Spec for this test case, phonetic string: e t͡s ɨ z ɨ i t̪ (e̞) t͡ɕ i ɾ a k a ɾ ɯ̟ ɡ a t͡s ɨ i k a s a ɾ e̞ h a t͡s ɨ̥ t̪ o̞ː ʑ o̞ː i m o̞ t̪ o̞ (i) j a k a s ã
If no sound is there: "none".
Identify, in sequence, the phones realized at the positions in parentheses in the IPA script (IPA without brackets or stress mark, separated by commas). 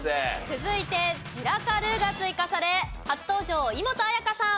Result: e̞, a